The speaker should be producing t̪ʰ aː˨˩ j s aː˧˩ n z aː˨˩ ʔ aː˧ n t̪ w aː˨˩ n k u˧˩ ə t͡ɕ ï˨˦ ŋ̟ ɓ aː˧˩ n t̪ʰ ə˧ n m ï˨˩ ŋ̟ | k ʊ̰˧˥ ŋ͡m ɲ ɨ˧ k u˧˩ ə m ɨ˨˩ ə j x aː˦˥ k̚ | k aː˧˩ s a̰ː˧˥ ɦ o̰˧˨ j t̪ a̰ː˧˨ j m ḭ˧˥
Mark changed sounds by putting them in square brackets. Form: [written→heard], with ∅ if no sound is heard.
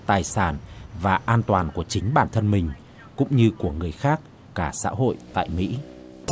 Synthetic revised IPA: [t̪ʰ→t̪] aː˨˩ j s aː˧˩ n [z→v] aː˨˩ ʔ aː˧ n t̪ w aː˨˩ n k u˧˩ ə t͡ɕ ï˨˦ ŋ̟ ɓ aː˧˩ n t̪ʰ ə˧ n m ï˨˩ ŋ̟ | k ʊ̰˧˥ ŋ͡m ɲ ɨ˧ k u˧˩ ə [m→ŋ] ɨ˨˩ ə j x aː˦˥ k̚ | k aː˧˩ s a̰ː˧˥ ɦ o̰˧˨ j t̪ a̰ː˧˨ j m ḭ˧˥